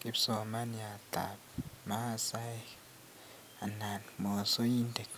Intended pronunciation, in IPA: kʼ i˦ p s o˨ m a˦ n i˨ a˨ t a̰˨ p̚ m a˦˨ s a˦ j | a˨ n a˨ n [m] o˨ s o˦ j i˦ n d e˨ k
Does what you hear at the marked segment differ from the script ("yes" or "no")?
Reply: no